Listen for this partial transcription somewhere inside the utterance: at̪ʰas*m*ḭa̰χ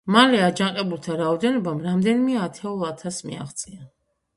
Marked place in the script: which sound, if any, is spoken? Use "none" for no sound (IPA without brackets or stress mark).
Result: m